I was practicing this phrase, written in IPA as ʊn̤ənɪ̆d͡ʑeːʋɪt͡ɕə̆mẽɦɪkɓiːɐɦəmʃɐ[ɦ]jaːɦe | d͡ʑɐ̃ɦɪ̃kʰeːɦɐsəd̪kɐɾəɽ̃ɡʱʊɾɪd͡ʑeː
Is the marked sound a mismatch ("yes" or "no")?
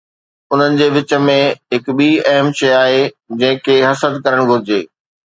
yes